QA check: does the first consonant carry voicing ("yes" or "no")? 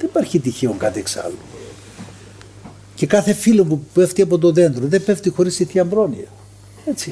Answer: yes